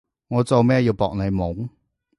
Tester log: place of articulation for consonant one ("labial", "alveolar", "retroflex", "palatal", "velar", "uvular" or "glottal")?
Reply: velar